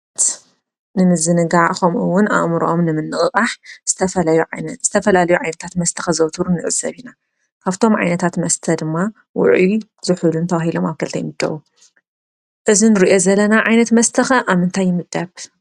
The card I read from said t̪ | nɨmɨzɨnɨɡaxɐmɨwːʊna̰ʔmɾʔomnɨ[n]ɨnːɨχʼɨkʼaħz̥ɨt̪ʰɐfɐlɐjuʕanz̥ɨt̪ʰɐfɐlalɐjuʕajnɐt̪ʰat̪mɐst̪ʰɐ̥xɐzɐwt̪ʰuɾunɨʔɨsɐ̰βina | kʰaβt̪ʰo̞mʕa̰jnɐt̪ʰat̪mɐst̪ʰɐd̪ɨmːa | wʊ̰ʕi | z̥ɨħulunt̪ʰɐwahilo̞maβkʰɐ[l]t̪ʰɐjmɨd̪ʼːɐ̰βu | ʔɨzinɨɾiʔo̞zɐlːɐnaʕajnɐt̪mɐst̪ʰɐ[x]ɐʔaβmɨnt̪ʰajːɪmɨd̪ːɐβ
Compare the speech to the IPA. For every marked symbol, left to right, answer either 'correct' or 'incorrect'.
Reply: incorrect: m, correct, correct

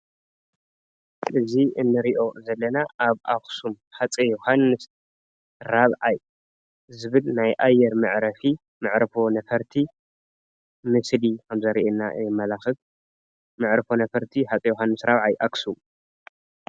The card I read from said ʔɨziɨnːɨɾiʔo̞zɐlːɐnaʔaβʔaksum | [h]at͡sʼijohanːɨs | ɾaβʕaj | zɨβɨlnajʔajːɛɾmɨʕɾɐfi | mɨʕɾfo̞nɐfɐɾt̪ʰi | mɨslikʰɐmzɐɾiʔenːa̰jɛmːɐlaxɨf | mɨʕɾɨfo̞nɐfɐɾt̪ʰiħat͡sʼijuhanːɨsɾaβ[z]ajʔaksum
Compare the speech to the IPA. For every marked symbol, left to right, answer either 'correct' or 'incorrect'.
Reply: incorrect: ħ, incorrect: ʕ

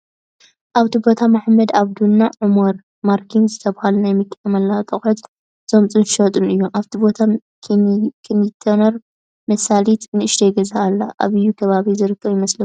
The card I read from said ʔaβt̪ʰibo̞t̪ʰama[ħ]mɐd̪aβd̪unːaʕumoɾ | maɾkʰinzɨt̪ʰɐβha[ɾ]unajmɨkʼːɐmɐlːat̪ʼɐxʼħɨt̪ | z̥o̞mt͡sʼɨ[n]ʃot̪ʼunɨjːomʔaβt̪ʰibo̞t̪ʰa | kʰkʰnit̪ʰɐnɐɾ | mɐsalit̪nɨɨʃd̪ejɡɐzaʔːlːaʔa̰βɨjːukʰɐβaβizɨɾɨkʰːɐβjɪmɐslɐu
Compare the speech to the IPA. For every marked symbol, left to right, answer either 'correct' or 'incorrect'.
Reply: correct, incorrect: l, correct

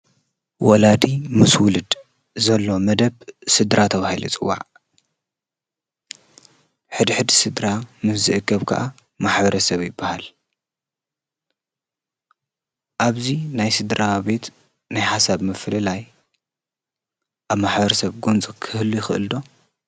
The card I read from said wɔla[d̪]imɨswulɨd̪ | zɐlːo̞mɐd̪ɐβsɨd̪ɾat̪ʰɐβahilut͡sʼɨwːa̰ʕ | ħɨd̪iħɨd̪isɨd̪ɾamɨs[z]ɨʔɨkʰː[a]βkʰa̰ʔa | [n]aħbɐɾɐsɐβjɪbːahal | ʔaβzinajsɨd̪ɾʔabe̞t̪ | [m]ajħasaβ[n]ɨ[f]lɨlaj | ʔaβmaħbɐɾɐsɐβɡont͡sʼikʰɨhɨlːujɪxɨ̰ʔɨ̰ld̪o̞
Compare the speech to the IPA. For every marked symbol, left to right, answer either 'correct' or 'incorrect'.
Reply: correct, correct, incorrect: ɐ, incorrect: m, incorrect: n, incorrect: m, correct

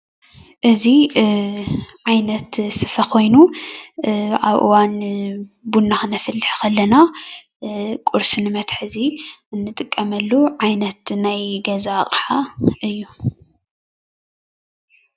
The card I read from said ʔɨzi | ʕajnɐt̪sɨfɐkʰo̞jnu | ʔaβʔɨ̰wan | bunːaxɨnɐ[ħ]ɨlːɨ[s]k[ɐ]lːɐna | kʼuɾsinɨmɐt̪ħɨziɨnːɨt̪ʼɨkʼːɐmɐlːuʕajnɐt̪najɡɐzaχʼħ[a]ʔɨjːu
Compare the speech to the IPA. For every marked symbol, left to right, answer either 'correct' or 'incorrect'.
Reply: incorrect: f, incorrect: ħ, correct, correct

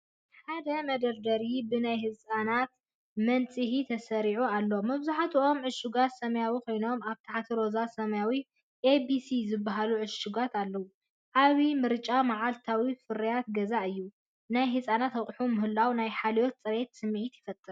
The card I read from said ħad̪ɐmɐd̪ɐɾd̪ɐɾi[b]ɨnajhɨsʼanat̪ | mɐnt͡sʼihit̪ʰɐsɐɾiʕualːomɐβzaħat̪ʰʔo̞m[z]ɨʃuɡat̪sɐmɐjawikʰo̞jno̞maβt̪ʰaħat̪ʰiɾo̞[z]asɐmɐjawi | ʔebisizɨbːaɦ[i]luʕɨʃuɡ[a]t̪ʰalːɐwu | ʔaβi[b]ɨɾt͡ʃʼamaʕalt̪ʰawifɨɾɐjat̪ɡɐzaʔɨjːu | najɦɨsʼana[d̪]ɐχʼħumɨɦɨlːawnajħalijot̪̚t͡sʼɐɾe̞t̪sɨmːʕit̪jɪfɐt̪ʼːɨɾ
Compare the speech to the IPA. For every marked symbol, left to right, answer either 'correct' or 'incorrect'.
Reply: correct, incorrect: ʕ, correct, incorrect: a, correct, incorrect: m, incorrect: t̪

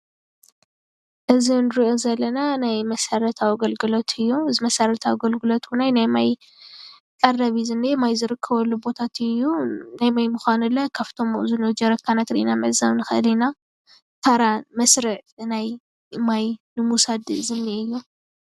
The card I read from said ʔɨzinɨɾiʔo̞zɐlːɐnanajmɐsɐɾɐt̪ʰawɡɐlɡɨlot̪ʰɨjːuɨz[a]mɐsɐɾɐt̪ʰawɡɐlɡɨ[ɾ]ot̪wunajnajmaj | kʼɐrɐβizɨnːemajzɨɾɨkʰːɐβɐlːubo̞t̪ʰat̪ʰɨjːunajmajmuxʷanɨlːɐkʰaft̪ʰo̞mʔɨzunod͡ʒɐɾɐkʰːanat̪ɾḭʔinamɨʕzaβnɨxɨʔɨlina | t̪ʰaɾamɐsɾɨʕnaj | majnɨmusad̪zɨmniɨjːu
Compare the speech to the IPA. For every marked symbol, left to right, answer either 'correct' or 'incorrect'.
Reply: incorrect: i, incorrect: l

